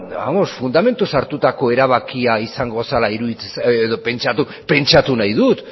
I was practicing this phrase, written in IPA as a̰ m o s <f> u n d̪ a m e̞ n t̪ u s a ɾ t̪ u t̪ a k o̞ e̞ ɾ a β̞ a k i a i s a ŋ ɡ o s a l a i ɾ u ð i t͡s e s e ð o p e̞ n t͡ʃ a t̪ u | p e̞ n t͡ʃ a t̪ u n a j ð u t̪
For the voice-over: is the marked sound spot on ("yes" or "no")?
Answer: yes